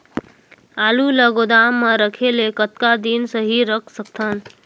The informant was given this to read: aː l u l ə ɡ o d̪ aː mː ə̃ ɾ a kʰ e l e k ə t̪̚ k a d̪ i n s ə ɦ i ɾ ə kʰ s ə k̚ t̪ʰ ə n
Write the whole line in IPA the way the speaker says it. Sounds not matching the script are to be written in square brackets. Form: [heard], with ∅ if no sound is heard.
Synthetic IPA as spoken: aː l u l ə ɡ o d̪ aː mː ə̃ ɾ [ə] kʰ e l e k ə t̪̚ k a d̪ i n s ə ɦ i ɾ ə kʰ s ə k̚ t̪ʰ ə n